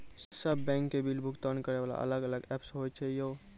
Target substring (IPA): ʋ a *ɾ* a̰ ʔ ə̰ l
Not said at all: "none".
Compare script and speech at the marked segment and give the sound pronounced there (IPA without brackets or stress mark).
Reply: l